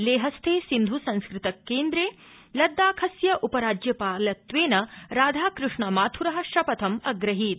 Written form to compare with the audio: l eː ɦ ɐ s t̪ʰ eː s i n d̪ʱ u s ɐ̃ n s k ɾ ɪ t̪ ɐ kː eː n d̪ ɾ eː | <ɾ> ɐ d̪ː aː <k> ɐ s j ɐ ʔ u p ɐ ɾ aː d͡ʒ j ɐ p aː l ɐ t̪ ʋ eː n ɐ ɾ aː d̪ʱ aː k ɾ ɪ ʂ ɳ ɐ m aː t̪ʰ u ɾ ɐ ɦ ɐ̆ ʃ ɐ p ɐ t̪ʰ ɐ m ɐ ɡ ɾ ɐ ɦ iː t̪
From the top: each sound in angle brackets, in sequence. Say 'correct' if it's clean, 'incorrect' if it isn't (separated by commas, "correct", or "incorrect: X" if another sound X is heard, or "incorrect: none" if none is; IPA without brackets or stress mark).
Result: incorrect: l, incorrect: kʰ